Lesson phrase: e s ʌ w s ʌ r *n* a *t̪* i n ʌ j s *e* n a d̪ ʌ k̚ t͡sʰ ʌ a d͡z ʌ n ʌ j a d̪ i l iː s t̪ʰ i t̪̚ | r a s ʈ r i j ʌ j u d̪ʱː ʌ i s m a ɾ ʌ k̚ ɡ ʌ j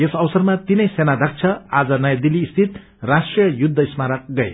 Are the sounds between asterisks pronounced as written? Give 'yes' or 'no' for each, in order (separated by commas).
no, yes, yes